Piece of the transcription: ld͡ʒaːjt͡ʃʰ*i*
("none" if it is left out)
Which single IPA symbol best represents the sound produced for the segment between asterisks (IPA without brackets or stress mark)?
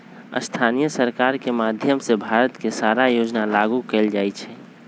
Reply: ɛ